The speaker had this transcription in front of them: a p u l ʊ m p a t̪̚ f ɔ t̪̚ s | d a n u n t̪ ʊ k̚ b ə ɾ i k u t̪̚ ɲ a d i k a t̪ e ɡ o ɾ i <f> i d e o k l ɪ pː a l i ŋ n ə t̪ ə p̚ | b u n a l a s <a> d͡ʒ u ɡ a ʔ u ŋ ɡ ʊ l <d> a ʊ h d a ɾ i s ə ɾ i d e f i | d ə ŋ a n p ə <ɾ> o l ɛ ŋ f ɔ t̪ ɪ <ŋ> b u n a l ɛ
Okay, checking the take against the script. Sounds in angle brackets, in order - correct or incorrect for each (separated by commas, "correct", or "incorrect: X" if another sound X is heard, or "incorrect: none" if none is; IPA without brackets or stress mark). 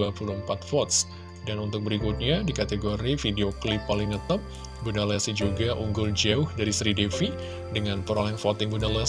correct, incorrect: i, incorrect: d͡ʒ, correct, correct